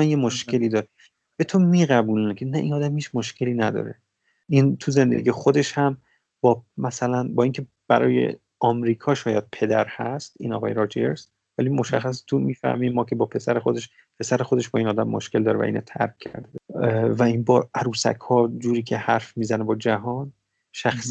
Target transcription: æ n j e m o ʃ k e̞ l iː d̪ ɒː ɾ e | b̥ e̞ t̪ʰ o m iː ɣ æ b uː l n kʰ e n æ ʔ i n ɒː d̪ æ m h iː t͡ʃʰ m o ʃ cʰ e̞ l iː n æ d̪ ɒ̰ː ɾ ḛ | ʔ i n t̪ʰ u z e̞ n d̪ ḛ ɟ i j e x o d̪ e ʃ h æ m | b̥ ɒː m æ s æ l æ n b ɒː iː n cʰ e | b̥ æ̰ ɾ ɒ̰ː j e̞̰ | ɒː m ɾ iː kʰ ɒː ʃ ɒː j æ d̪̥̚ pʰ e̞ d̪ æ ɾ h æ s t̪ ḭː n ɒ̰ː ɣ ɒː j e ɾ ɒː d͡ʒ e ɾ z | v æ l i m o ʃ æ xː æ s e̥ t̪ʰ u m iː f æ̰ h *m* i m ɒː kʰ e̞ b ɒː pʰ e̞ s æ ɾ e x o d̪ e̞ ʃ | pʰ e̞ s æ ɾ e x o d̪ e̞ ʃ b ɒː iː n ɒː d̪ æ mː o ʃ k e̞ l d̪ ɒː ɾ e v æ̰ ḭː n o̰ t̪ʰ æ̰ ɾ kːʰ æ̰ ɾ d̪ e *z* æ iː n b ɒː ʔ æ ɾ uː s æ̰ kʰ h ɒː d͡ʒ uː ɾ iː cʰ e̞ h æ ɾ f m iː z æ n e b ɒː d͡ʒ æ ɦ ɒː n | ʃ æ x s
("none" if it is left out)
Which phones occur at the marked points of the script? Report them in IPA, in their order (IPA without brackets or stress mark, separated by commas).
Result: m, v